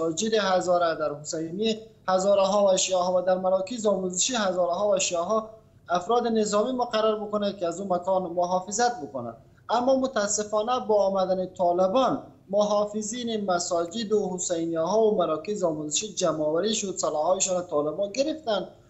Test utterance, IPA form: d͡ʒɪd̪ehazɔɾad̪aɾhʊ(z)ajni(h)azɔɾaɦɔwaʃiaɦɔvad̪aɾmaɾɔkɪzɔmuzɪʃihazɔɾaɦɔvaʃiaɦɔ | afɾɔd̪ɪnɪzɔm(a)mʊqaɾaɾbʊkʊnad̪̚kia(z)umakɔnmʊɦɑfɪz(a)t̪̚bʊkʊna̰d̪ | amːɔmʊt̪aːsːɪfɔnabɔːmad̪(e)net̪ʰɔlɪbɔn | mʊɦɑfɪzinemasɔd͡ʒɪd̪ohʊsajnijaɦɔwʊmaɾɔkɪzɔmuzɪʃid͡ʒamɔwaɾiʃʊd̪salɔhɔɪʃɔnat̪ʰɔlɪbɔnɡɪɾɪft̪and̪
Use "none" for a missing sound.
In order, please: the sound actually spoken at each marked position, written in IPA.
s, h, i, z, a, a

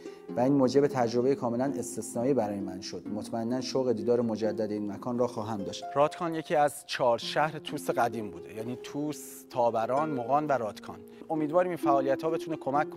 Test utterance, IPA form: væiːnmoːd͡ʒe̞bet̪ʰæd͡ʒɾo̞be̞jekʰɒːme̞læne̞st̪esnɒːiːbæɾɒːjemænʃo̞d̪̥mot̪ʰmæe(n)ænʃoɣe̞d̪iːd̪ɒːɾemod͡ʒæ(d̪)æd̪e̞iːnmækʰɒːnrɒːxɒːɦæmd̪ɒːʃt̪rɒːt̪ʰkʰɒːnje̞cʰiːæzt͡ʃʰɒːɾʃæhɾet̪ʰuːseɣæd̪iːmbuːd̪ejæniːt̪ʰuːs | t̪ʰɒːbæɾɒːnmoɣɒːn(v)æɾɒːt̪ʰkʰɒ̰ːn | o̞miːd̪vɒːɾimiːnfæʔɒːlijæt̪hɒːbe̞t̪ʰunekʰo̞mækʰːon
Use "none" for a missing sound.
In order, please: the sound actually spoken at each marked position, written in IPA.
nː, d̪ː, v

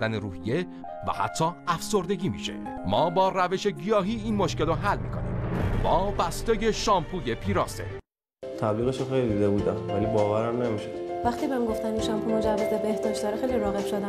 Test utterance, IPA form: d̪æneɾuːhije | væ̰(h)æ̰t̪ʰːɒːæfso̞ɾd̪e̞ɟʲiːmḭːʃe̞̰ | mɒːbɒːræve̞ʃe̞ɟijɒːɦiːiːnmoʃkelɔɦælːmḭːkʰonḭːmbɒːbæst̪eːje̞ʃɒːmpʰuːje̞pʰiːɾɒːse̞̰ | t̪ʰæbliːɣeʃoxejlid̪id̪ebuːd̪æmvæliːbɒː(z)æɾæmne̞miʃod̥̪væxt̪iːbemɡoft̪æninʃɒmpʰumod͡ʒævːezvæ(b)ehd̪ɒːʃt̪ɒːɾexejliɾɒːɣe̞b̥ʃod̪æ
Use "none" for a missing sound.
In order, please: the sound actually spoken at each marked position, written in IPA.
h, v, b

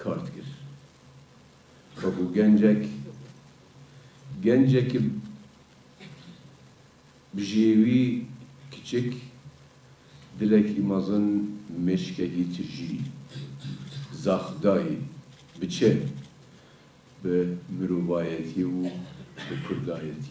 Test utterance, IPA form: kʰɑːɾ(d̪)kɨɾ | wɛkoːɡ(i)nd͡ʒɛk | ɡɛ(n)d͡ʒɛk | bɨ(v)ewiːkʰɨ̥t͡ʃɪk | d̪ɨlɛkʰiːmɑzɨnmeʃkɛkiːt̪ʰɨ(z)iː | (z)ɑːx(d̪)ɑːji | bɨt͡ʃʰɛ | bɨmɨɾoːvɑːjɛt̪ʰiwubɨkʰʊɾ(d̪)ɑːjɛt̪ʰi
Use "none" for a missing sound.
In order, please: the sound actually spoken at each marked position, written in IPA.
t̪, ɛ, n, ʒ, ʒ, z, d̪, d̪

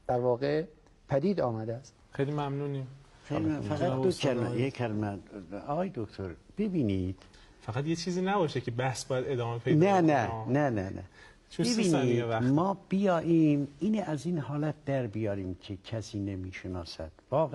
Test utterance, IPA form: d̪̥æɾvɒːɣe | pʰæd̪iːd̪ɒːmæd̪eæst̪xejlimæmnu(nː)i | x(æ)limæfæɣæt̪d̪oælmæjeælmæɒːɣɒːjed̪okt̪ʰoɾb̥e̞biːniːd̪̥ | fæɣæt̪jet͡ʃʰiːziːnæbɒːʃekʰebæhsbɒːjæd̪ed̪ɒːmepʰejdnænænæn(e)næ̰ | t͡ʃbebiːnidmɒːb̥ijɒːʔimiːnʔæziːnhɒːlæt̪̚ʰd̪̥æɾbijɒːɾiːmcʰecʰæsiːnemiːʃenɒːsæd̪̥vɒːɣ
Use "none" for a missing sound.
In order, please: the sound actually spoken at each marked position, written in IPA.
n, e, æ

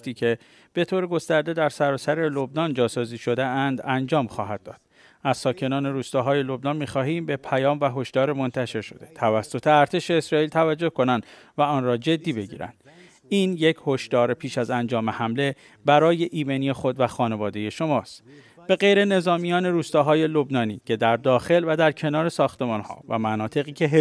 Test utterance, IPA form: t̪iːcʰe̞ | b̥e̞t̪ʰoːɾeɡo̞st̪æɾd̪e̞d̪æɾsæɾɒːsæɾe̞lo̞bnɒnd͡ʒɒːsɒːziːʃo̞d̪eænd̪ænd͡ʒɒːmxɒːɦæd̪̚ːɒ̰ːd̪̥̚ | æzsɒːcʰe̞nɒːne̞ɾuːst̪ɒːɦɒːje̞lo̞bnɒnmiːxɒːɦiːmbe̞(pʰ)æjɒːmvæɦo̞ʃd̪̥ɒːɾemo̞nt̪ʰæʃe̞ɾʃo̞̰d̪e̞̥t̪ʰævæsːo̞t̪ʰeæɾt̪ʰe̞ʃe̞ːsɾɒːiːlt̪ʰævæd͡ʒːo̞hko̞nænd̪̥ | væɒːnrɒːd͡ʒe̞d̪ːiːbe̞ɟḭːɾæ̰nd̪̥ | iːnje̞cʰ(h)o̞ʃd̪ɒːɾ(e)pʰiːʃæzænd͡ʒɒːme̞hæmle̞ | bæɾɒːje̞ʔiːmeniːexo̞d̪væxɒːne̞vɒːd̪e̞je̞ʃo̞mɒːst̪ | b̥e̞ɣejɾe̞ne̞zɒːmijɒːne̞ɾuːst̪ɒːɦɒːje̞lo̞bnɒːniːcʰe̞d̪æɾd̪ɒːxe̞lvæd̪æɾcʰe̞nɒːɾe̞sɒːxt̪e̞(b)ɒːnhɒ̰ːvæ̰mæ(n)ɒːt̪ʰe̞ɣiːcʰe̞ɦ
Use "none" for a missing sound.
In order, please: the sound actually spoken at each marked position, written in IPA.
pʰ, h, e, m, n

